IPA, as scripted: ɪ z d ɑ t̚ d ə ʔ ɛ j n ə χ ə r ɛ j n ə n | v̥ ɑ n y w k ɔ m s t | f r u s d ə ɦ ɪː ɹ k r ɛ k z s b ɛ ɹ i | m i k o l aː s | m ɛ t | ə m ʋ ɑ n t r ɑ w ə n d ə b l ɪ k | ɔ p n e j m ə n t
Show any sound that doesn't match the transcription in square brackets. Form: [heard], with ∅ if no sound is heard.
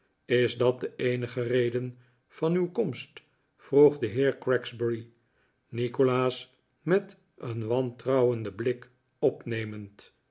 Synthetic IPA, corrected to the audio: ɪ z d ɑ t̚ d ə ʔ [e] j n ə χ ə r [e] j [d] ə n | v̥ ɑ n y w k ɔ m s t | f r u [χ] d ə ɦ ɪː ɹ k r ɛ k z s b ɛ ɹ i | [n] i k o l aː s | m ɛ t | ə [n] ʋ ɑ n t r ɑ w ə n d ə b l ɪ k | ɔ p n e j m ə n t